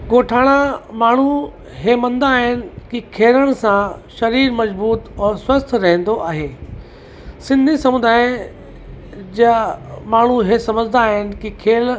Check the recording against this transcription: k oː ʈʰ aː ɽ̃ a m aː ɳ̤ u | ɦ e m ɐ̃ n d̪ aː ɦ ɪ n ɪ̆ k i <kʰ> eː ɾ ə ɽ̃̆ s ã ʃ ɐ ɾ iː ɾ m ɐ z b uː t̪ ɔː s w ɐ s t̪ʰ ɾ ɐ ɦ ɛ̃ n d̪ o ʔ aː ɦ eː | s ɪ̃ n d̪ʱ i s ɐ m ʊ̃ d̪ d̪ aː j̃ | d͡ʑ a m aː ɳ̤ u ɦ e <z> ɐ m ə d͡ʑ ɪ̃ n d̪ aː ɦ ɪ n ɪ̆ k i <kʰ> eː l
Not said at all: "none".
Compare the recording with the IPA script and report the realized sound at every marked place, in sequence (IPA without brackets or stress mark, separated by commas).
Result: kʰ, s, kʰ